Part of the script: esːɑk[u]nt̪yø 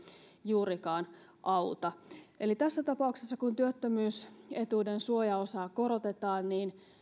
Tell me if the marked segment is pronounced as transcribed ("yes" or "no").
yes